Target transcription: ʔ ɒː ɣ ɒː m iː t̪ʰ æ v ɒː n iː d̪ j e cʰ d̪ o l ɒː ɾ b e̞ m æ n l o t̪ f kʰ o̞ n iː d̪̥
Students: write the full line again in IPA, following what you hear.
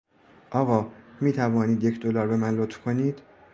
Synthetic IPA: ʔ ɒː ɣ ɒː m iː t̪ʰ æ v ɒː n iː d̪ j e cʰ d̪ o l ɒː ɾ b e̞ m æ n l o t̪ f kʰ o̞ n iː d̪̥